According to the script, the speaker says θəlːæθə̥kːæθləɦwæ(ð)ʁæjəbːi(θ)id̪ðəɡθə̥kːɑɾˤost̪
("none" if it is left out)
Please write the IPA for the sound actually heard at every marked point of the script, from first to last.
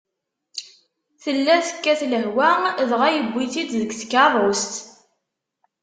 ð, θ

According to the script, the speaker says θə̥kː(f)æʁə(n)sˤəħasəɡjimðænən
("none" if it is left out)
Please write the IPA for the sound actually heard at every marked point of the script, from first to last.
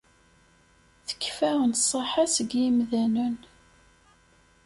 f, n

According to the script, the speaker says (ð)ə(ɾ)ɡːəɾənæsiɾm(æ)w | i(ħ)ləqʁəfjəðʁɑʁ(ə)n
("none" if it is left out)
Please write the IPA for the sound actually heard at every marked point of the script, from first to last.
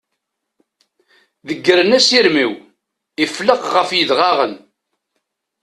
ð, none, i, f, ə

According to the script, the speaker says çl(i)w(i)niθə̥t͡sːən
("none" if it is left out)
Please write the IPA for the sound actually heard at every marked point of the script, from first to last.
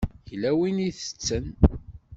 æ, i

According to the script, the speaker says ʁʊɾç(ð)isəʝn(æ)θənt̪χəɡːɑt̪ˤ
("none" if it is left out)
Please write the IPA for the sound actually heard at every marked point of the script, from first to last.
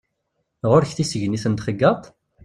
θ, i

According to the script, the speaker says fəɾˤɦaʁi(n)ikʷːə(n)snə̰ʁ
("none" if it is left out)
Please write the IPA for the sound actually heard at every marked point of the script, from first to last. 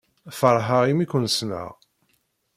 m, n

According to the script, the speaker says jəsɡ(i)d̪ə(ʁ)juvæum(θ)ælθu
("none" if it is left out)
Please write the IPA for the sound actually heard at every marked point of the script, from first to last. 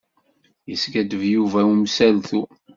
æ, v, s

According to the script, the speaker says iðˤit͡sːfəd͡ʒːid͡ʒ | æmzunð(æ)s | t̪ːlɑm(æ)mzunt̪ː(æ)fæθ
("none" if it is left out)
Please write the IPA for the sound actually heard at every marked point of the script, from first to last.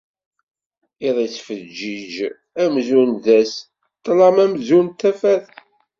æ, æ, æ

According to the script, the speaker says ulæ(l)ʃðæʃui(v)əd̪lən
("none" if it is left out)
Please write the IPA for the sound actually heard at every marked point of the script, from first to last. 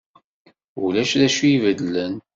none, v

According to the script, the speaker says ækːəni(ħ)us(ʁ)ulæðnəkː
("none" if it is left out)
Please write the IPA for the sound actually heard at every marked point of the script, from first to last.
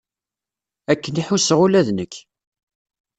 ħ, ʁ

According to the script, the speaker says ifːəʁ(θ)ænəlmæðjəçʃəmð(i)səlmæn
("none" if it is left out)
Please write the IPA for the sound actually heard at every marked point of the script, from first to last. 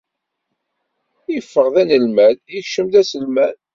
ð, æ

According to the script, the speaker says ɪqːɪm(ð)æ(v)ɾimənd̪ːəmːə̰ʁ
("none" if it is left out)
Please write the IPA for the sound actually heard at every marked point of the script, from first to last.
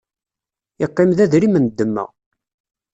ð, ð

